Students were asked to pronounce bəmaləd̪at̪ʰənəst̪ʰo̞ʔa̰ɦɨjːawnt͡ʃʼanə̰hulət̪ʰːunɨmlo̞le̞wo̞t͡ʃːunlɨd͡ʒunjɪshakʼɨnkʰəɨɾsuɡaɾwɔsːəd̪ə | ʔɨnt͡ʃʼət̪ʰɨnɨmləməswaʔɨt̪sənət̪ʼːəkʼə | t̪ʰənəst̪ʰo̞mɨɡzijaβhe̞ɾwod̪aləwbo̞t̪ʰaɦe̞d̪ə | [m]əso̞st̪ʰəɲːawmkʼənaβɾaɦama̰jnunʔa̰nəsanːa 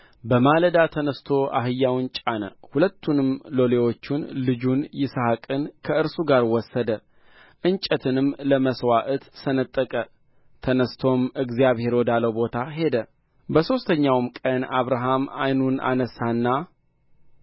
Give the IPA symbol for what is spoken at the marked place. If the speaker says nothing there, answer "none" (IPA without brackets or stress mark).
b